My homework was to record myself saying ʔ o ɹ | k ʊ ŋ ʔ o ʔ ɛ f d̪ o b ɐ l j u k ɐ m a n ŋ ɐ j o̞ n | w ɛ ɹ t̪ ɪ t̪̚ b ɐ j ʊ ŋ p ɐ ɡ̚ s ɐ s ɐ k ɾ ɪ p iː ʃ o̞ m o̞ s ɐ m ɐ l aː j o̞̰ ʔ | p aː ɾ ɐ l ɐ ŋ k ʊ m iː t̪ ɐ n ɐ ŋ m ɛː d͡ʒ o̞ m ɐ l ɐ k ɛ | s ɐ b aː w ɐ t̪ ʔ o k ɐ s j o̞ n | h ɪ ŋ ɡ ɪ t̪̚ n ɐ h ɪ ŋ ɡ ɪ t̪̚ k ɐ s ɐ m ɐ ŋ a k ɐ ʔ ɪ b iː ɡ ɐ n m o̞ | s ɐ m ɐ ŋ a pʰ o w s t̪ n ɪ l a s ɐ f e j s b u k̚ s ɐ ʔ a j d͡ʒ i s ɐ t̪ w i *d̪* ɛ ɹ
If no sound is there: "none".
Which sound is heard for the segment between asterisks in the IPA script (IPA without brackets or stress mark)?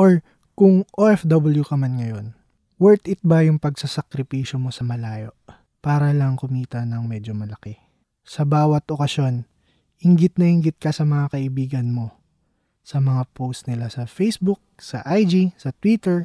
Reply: t̪